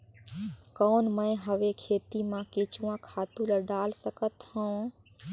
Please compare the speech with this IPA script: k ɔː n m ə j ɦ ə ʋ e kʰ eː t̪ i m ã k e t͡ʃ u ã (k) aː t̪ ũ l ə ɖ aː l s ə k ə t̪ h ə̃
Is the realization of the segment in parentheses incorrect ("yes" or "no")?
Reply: yes